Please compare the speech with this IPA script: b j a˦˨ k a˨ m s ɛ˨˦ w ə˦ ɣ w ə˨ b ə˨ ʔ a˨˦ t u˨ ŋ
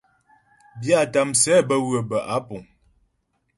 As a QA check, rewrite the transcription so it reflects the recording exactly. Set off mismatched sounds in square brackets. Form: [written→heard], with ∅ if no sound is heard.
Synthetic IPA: b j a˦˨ [k→t] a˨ m s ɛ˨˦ [w→b] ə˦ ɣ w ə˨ b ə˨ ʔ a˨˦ [t→p] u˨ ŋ

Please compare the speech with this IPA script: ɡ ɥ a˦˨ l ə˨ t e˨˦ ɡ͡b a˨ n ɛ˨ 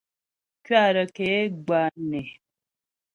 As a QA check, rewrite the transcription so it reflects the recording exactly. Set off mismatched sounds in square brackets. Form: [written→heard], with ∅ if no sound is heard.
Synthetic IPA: [ɡ→k] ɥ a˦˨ [l→ɾ] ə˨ [t→k] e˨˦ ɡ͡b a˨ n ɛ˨

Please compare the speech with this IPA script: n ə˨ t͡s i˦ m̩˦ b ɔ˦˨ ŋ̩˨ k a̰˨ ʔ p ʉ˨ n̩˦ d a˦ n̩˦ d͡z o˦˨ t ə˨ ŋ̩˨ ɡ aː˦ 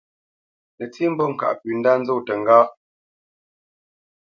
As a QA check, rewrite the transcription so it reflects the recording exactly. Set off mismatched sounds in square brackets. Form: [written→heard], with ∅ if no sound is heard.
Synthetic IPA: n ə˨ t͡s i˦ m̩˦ b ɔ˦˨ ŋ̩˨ k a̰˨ ʔ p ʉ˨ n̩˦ d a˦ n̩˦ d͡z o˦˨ t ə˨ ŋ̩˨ ɡ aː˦

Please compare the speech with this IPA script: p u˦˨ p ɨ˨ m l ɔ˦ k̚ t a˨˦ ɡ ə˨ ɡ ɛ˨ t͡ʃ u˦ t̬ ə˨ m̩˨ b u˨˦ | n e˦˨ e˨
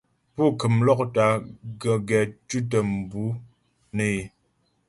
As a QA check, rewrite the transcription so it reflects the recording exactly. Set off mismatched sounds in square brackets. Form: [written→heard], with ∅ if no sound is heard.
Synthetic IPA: p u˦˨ [p→k] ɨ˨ m l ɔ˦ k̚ t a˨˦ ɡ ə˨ ɡ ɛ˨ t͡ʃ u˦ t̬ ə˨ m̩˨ b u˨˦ | n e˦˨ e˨

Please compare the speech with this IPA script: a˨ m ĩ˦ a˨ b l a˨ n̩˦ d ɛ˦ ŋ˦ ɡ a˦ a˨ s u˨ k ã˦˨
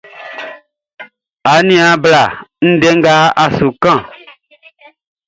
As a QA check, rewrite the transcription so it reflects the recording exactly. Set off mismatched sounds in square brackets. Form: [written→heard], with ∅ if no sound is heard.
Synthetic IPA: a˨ [m→n] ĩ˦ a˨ b l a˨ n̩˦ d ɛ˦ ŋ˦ ɡ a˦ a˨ s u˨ k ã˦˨

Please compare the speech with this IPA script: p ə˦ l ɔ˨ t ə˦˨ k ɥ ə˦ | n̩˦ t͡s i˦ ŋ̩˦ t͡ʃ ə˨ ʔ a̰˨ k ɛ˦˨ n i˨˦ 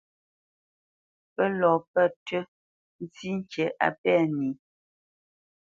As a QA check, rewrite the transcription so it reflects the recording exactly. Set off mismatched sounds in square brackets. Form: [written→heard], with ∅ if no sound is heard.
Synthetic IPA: p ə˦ l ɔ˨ [t→p] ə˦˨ [k→t] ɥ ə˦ | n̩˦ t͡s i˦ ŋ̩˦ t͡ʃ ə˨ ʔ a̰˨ [k→p] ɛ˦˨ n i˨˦

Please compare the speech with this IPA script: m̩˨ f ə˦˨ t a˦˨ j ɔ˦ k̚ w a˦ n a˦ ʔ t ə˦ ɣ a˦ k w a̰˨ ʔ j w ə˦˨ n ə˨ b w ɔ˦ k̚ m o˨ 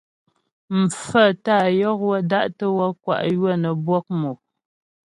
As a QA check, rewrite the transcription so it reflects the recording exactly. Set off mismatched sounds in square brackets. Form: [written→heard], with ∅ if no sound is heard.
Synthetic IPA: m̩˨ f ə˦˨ t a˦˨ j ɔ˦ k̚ w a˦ [n→d] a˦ ʔ t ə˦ [ɣ→w] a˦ k w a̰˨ ʔ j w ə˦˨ n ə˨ b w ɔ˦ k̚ m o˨

